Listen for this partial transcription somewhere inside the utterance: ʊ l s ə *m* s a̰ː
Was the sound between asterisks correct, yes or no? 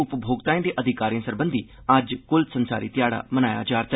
no